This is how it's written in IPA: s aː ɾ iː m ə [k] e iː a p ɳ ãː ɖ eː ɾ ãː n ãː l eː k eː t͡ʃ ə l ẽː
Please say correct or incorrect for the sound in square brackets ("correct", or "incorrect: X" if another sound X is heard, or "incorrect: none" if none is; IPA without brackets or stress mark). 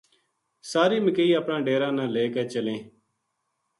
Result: correct